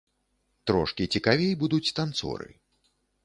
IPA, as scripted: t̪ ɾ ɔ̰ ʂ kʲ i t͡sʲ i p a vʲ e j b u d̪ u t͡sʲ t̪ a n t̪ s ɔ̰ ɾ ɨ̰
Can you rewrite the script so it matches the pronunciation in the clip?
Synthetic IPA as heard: t̪ ɾ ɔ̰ ʂ kʲ i t͡sʲ i k a vʲ e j b u d̪ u t͡sʲ t̪ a n t̪ s ɔ̰ ɾ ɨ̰

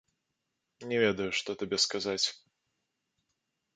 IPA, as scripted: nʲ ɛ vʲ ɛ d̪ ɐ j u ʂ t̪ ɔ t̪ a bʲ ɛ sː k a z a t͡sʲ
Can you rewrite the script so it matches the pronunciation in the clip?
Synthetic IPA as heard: nʲ ɛ vʲ ɛ d̪ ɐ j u ʂ t̪ ɔ t̪ a bʲ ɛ s k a z a t͡sʲ

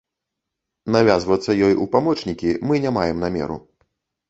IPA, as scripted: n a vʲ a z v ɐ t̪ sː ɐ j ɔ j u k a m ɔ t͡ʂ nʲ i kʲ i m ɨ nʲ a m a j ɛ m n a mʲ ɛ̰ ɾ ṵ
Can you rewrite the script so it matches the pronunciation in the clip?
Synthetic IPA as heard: n a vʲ a z v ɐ t̪ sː ɐ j ɔ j u p a m ɔ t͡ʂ nʲ i kʲ i m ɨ nʲ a m a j ɛ m n a mʲ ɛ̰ ɾ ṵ

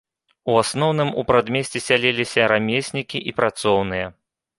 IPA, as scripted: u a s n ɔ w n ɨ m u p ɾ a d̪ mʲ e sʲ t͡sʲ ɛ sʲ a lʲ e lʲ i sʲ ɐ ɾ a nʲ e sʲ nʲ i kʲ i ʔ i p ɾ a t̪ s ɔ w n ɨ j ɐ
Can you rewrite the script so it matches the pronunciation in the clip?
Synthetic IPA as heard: u a s n ɔ w n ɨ m u p ɾ a d̪ mʲ e sʲ t͡sʲ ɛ sʲ a lʲ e lʲ i sʲ ɐ ɾ a mʲ e sʲ nʲ i kʲ i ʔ i p ɾ a t̪ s ɔ w n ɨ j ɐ

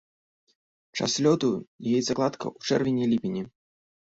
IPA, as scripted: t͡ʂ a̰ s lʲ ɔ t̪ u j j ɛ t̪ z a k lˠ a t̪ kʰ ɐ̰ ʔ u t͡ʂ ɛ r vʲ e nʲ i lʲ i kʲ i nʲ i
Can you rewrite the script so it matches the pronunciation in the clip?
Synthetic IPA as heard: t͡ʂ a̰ s lʲ ɔ t̪ u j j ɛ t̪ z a k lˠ a t̪ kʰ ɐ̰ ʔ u t͡ʂ ɛ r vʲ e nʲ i lʲ i pʲ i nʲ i

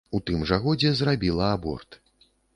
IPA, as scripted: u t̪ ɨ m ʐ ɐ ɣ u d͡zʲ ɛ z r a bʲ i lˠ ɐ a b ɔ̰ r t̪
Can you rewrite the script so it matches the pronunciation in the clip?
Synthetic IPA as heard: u t̪ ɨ m ʐ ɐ ɣ ɔ d͡zʲ ɛ z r a bʲ i lˠ ɐ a b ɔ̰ r t̪

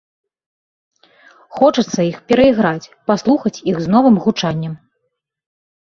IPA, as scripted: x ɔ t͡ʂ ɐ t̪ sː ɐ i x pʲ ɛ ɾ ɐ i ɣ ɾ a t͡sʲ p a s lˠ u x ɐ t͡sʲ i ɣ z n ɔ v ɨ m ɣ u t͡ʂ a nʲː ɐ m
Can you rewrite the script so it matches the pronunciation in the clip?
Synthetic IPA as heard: x ɔ t͡ʂ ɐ t̪ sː ɐ i x pʲ ɛ ɾ ɐ i ɣ ɾ a t͡sʲ p a s lˠ u x ɐ t͡sʲ i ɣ z n ɔ v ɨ m ɣ u t͡ʂ a nʲː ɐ m

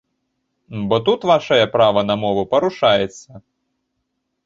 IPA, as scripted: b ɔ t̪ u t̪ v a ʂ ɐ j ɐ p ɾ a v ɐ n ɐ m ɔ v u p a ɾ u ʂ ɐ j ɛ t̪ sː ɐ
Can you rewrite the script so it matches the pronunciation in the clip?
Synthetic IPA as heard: b ɔ t̪ u t̪ v a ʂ ɐ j ɐ p ɾ a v ɐ n ɐ m ɔ v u p ɐ ɾ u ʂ a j ɛ t̪ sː ɐ

